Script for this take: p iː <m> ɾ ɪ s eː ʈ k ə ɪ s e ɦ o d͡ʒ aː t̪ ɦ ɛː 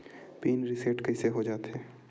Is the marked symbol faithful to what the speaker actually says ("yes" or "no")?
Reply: no